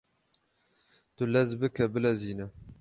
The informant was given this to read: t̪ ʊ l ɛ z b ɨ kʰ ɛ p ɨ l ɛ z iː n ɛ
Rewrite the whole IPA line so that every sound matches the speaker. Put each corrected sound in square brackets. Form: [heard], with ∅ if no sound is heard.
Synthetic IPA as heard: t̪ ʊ l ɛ z b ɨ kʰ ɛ [b] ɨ l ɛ z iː n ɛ